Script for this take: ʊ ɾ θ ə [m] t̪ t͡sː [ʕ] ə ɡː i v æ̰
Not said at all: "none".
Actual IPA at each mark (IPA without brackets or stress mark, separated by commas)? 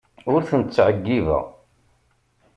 n, ʕ